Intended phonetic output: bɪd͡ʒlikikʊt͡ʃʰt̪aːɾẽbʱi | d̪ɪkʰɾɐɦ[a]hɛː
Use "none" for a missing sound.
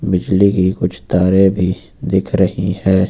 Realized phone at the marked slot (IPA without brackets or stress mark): i